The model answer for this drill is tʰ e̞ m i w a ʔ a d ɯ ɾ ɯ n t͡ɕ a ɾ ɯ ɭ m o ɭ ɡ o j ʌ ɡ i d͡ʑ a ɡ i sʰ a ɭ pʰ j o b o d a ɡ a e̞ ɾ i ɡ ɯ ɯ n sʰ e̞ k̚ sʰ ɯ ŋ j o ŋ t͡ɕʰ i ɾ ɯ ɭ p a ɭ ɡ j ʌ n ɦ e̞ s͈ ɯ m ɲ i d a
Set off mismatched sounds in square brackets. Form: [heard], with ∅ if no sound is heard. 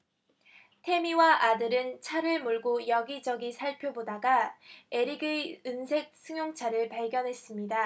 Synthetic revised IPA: tʰ e̞ m i w a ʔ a d ɯ ɾ ɯ n [t͡ɕʰ] a ɾ ɯ ɭ m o ɭ ɡ o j ʌ ɡ i d͡ʑ [ʌ] ɡ i sʰ a ɭ pʰ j o b o d a ɡ a e̞ ɾ i ɡ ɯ ɯ n sʰ e̞ k̚ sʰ ɯ ŋ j o ŋ t͡ɕʰ [a] ɾ ɯ ɭ p a ɭ ɡ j ʌ n ɦ e̞ s͈ ɯ m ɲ i d a